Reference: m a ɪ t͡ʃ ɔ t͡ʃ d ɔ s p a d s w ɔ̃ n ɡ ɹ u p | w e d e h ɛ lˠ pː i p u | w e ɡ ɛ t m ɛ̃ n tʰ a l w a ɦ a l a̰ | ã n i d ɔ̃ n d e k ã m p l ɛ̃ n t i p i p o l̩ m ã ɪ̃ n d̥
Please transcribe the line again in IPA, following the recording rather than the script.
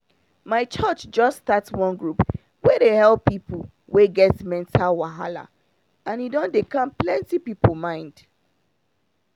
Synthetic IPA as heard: m a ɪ t͡ʃ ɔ t͡ʃ d͡ʒ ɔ s t a t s w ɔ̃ n ɡ ɹ u p | w e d e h ɛ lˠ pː i p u | w e ɡ ɛ t m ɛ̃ n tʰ a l w a ɦ a l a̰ | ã n i d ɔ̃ n d e k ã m p l ɛ̃ n t i p i p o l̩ m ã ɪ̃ n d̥